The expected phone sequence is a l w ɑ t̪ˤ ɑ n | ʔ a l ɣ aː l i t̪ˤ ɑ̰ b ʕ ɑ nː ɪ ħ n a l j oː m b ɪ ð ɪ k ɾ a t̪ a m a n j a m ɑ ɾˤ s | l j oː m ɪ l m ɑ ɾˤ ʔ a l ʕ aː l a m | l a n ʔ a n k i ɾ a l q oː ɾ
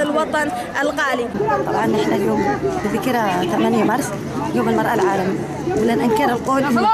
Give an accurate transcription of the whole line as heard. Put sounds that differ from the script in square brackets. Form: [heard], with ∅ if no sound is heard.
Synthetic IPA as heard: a l w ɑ t̪ˤ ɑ n | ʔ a l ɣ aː l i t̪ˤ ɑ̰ b ʕ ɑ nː ɪ ħ n a l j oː m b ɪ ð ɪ k ɾ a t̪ a m a n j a m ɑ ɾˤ s | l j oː m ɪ l m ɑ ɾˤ ʔ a l ʕ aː l a m | l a n ʔ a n k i ɾ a l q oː [l]